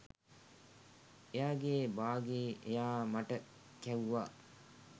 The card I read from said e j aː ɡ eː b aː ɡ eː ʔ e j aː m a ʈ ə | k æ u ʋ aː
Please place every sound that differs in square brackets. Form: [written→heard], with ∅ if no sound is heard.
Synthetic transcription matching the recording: e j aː ɡ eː b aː ɡ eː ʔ e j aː m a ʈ ə | k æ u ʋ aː